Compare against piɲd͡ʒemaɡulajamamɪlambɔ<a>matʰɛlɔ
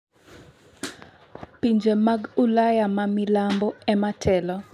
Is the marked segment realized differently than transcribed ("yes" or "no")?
yes